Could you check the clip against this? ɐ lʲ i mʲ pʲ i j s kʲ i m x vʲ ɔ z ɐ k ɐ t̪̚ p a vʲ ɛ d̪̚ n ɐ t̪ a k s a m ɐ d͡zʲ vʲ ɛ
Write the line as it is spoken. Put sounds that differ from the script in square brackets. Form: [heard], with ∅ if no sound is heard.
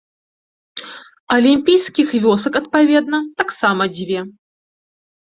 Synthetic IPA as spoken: ɐ lʲ i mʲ pʲ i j s kʲ i [∅] x vʲ ɔ [s] ɐ k ɐ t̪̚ p a vʲ ɛ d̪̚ n ɐ t̪ a k s a m ɐ d͡zʲ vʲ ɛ